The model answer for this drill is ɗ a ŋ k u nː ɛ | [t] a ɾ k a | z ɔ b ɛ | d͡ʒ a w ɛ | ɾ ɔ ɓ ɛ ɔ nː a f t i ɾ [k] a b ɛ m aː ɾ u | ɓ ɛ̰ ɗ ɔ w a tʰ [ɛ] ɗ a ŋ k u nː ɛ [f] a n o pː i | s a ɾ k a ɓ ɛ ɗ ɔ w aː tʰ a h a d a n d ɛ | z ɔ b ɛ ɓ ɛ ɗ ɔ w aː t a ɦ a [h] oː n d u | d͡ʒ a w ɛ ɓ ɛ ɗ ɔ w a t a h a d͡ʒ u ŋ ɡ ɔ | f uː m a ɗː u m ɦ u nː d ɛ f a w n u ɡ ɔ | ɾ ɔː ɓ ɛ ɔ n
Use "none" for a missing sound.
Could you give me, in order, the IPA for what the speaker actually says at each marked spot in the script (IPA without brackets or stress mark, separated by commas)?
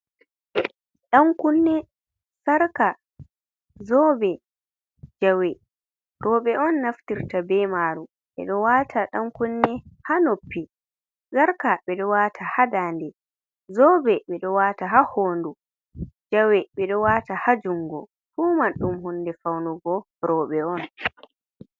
s, t, a, h, h